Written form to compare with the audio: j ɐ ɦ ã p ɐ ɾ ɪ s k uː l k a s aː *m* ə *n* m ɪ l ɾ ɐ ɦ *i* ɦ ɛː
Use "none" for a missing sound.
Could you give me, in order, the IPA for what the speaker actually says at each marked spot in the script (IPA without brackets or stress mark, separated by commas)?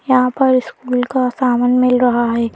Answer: m, n, a